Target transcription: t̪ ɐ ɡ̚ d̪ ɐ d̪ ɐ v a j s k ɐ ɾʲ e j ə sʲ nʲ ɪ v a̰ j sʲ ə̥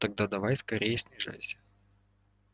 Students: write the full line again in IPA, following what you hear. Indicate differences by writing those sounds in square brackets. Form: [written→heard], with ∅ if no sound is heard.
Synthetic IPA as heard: t̪ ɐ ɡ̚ d̪ [ɐ→a] d̪ ɐ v a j s k ɐ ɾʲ e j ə sʲ nʲ ɪ [v→ʐ] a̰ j sʲ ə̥